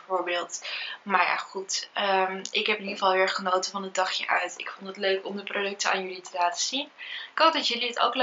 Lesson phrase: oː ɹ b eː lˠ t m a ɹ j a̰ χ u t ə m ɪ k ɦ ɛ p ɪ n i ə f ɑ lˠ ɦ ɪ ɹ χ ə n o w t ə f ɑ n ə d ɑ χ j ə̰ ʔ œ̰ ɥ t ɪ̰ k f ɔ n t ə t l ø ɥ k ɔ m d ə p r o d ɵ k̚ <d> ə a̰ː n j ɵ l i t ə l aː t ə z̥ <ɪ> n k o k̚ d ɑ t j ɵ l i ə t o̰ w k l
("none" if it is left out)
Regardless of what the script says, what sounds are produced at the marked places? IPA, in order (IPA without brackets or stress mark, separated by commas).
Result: t, i